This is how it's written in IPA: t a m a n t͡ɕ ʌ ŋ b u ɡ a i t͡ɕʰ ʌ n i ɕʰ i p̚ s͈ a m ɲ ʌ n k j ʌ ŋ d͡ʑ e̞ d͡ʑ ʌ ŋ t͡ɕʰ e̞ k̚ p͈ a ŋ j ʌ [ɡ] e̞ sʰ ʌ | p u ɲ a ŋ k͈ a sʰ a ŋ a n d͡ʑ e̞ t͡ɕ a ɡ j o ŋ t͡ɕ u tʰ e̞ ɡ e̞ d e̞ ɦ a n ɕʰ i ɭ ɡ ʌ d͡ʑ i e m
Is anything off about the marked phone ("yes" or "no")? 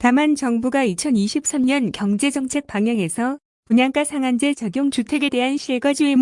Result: yes